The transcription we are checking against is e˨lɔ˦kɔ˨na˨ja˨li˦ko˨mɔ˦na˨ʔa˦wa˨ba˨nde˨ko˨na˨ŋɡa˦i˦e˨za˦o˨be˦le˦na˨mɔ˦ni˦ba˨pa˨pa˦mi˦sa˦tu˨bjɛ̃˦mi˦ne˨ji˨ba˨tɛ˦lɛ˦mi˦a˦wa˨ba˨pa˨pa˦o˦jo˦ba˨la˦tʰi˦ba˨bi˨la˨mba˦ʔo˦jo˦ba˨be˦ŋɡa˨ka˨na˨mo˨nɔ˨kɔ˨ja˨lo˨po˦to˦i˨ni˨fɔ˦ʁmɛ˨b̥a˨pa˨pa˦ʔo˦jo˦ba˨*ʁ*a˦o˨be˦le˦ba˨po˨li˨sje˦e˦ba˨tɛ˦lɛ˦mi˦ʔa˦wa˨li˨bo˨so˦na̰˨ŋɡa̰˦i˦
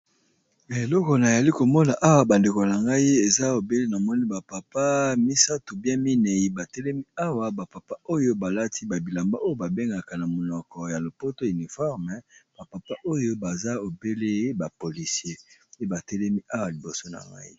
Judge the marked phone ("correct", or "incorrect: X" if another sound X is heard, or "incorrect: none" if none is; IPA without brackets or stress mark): incorrect: z